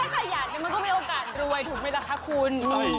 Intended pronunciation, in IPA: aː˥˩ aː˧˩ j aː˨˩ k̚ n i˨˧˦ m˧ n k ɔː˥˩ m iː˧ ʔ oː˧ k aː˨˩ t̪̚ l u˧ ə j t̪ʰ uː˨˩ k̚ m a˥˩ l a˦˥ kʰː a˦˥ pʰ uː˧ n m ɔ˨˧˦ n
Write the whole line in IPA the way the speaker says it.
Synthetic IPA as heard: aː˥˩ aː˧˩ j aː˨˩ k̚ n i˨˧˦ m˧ n k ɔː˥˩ m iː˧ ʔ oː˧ k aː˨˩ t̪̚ ɾ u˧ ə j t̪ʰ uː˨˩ k̚ m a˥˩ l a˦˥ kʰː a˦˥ kʰ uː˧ n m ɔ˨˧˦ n